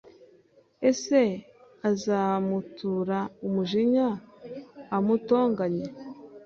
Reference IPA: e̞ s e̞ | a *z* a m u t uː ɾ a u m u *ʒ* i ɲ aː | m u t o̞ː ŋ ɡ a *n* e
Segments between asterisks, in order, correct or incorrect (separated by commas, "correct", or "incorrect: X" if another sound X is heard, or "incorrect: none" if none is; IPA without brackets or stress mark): correct, correct, incorrect: ɲ